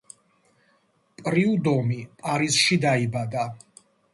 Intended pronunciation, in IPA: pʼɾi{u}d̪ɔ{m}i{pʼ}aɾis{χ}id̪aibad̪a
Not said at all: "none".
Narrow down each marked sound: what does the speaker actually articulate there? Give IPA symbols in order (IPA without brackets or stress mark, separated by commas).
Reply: u, m, pʼ, ʃ